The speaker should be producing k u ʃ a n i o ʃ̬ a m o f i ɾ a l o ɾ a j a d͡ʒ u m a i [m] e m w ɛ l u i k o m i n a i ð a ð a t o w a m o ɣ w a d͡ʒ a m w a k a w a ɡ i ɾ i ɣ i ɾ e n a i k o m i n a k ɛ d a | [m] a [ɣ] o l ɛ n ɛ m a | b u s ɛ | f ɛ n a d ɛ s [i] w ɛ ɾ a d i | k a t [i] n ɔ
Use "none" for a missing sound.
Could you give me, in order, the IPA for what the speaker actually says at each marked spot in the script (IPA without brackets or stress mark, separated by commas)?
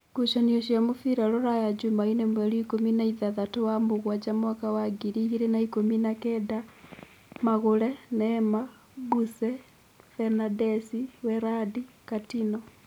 n, m, ɣ, i, i